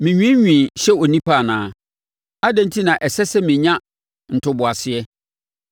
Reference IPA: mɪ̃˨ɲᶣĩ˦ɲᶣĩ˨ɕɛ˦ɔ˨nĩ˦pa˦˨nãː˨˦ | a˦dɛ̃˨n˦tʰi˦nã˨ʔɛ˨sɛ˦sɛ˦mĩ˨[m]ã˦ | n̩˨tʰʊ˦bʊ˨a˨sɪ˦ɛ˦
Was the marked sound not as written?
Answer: yes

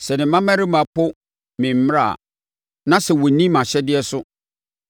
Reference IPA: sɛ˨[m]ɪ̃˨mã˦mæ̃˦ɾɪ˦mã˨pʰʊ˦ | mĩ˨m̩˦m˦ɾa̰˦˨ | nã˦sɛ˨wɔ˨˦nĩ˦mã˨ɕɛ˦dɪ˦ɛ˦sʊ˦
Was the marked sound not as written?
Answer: yes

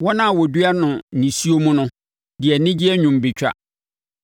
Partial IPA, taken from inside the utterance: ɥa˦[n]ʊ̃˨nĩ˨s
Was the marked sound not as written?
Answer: no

